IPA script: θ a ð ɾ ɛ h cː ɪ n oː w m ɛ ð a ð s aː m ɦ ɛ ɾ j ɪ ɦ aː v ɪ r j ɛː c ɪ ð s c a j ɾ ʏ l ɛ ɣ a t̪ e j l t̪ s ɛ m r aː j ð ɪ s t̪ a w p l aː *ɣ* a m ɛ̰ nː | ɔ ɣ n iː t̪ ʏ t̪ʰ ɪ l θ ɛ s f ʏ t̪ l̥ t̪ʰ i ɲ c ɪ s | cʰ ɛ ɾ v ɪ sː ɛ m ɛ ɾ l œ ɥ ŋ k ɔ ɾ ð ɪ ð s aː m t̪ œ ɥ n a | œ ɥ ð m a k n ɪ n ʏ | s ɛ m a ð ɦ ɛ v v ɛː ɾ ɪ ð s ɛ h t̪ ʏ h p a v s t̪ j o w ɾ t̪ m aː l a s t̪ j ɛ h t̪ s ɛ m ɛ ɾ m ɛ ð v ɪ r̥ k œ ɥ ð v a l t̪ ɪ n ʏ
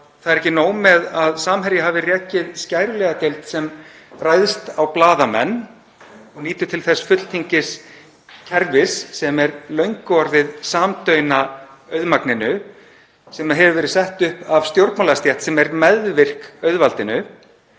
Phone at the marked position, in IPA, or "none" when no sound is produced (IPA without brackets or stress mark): ð